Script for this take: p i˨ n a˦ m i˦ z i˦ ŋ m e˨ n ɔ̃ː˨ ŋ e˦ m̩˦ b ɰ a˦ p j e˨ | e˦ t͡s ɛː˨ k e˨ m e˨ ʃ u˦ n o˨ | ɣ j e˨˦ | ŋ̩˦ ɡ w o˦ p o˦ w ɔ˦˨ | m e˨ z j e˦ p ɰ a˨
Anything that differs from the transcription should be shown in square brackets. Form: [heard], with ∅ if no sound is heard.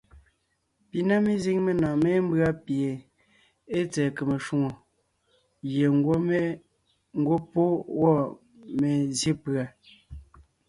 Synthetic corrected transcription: p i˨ n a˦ m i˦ z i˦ ŋ m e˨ n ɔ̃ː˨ [m] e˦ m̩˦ b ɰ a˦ p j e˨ | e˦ t͡s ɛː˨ k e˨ m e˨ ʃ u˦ [ŋ] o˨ | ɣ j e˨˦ | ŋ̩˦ ɡ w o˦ p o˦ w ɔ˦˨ | m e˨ z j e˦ p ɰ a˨